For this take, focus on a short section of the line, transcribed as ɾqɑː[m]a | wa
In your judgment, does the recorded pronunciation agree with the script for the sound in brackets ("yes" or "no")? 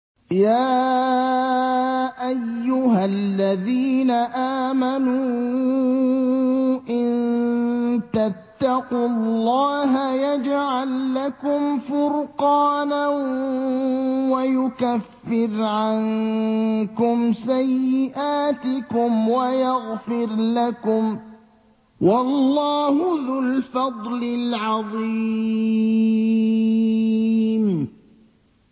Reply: no